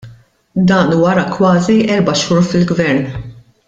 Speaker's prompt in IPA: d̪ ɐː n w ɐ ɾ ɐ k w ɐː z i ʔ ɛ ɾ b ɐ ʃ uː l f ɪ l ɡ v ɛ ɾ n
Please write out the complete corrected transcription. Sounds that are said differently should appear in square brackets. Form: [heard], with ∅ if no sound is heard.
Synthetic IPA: d̪ ɐː n w ɐ ɾ ɐ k w ɐː z i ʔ ɛ ɾ b ɐ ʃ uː [ɾ] f ɪ l ɡ v ɛ ɾ n